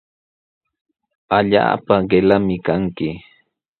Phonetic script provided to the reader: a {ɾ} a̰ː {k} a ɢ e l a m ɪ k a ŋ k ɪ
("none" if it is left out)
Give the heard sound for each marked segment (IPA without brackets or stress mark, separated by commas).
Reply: ʎ, p